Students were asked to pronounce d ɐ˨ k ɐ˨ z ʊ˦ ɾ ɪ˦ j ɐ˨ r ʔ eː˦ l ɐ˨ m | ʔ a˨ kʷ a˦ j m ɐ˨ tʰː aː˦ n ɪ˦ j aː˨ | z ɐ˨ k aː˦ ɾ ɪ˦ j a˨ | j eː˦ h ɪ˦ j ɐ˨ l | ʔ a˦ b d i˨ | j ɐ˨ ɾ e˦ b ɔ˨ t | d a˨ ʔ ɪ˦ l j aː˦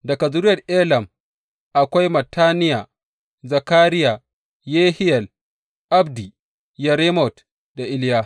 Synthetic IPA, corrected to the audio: d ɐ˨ k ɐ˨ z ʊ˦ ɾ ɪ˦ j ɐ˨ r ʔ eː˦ l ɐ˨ m | ʔ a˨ kʷ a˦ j m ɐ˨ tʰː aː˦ n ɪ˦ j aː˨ | z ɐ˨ k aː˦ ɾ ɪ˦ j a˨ | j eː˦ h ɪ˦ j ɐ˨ l | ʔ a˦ b d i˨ | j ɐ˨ ɾ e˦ m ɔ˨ t | d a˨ ʔ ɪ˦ l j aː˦

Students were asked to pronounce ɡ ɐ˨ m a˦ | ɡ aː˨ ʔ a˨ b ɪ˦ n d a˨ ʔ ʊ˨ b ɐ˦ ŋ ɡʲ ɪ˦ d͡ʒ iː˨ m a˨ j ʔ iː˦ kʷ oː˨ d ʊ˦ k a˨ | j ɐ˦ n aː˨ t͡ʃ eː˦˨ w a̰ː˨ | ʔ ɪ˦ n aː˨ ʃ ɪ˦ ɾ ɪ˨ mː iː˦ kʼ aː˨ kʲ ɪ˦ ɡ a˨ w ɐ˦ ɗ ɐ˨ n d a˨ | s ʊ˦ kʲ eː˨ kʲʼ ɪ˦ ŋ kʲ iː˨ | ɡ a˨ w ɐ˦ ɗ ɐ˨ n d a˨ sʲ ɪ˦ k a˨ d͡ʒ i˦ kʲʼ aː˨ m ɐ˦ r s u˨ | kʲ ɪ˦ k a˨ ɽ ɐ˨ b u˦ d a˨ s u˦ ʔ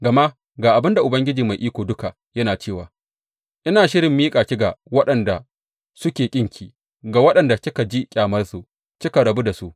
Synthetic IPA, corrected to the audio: ɡ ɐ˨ m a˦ | ɡ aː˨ ʔ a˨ b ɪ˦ n d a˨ ʔ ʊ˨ b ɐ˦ ŋ ɡʲ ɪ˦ d͡ʒ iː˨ m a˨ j ʔ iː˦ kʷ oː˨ d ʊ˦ k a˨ | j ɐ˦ n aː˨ t͡ʃ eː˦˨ w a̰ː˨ | ʔ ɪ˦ n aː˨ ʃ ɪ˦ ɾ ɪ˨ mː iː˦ kʼ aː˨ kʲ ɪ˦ ɡ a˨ w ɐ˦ ɗ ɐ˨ n d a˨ | s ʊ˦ kʲ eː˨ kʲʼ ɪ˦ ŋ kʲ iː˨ | ɡ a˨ w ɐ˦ ɗ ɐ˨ n d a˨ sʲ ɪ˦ k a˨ d͡ʒ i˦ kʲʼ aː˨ m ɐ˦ r s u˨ | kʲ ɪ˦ k a˨ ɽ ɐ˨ b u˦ d a˨ s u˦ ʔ

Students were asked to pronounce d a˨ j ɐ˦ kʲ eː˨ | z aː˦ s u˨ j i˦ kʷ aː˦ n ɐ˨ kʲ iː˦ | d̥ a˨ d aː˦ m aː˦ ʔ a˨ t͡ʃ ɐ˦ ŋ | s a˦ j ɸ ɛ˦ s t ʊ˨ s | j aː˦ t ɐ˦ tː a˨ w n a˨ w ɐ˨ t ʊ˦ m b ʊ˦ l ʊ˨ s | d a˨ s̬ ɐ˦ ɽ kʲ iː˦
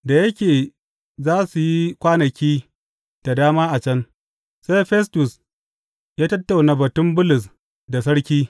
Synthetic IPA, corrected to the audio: d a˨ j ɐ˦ kʲ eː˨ | z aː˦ s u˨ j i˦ kʷ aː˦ n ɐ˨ kʲ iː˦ | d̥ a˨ d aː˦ m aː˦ ʔ a˨ t͡ʃ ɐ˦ n | s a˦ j ɸ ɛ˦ s t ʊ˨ s | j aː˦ t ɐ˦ tː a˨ w n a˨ b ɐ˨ t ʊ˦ m b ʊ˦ l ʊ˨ s | d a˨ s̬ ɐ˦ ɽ kʲ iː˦

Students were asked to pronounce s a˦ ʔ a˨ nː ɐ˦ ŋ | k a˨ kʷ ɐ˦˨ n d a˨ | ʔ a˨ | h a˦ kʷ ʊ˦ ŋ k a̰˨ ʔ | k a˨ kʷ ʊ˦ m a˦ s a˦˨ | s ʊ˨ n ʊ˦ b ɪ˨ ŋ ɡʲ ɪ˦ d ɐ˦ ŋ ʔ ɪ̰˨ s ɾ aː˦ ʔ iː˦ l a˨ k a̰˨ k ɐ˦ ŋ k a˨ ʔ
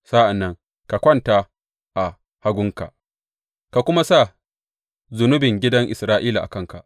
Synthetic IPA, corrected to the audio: s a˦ ʔ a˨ nː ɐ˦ ŋ | k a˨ kʷ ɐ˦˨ n t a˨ | ʔ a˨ | h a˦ ɡʷ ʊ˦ ŋ k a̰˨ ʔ | k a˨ kʷ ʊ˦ m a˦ s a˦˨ | z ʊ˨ n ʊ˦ b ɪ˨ ŋ ɡʲ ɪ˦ d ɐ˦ ŋ ʔ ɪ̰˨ s ɾ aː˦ ʔ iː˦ l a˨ ʔ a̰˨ k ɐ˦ ŋ k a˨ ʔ

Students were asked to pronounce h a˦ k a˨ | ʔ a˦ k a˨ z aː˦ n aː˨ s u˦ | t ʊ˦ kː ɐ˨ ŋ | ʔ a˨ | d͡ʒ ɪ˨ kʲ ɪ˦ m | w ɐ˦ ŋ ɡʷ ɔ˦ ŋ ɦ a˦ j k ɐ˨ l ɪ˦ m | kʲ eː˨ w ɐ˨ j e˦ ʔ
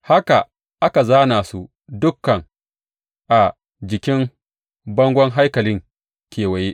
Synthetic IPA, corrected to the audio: h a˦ k a˨ | ʔ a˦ k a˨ z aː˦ n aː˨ s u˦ | d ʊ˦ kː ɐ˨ ŋ | ʔ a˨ | d͡ʒ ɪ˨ kʲ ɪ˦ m | b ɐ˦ ŋ ɡʷ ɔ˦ ŋ ɦ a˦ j k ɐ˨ l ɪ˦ ŋ | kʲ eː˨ w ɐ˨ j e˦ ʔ

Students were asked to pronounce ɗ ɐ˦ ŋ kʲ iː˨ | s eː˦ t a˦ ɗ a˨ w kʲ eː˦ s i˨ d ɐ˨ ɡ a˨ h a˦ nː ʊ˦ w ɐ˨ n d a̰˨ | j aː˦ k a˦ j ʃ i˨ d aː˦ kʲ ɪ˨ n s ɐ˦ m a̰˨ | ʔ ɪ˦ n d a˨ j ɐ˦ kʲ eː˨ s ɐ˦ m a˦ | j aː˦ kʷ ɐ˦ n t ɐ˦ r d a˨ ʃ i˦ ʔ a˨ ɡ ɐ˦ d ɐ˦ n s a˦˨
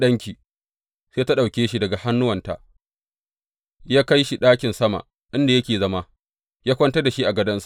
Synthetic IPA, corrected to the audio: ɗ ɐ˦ ŋ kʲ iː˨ | s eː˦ t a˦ ɗ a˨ w kʲ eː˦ ʃ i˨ d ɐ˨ ɡ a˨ h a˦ nː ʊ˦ w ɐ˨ n t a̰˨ | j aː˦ k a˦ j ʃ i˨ ɗ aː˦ kʲ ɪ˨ n s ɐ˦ m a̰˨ | ʔ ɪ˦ n d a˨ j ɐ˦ kʲ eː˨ z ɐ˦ m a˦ | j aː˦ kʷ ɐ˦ n t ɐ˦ r d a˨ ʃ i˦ ʔ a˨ ɡ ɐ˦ d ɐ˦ n s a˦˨

